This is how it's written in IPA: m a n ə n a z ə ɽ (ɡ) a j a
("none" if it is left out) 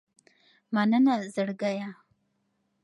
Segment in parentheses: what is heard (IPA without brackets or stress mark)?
ɡ